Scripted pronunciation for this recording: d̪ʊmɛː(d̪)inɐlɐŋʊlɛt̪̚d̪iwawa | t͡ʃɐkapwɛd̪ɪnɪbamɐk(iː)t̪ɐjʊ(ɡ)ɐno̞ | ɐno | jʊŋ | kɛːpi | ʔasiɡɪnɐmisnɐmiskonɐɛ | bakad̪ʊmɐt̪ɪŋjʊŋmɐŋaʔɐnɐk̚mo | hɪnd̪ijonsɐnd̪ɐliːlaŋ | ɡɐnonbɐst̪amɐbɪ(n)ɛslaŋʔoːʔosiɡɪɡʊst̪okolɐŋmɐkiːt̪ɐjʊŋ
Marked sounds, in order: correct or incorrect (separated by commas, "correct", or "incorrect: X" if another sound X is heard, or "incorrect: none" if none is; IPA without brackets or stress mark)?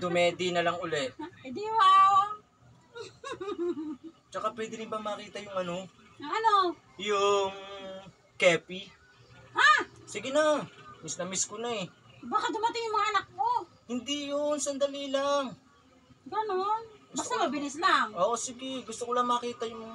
correct, correct, incorrect: ŋ, correct